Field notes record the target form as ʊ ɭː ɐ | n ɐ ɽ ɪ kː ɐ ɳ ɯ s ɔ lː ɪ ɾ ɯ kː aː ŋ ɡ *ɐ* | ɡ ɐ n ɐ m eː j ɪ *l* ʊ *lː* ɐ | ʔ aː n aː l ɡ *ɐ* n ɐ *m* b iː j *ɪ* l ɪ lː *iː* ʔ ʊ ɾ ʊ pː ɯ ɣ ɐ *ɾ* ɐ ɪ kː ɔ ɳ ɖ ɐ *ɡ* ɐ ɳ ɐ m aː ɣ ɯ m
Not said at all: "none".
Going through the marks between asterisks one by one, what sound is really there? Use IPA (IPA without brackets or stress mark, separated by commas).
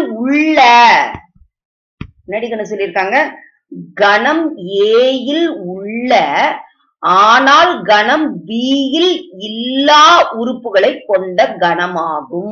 ɐ, l, ɭː, ɐ, m, ɪ, aː, ɭ, ɡ